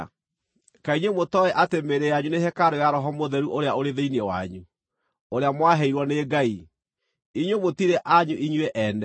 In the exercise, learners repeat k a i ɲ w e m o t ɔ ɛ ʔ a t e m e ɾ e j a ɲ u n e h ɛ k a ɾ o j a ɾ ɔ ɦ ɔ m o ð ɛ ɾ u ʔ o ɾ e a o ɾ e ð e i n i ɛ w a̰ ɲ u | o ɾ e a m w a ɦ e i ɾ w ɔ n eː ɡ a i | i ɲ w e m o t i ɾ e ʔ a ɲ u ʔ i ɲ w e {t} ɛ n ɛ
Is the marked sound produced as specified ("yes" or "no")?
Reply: no